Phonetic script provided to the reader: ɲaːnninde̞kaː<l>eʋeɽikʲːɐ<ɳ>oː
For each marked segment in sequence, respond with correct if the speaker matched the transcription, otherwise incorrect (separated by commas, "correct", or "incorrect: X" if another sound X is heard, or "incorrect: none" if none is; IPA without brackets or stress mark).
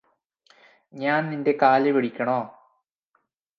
correct, correct